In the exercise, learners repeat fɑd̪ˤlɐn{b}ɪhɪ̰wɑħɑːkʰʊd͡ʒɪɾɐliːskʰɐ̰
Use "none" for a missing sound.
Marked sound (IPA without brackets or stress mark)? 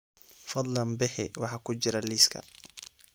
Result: b